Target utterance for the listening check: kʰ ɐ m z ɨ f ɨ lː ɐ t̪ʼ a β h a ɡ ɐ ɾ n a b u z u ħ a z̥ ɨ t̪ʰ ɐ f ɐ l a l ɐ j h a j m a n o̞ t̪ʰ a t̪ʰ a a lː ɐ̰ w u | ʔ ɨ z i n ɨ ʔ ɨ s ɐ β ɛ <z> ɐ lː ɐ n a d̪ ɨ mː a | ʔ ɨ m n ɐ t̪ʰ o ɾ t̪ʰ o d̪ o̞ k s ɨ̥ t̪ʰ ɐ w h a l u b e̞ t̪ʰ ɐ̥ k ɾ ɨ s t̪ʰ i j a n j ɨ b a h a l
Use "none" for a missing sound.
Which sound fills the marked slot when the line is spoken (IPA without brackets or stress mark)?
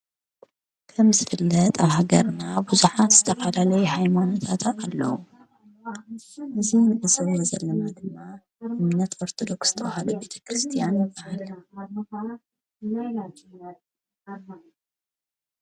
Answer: z